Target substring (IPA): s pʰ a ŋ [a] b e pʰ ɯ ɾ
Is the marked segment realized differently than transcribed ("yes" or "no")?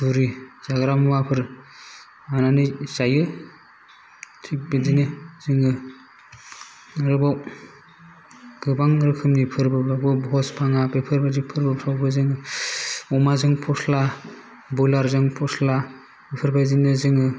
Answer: no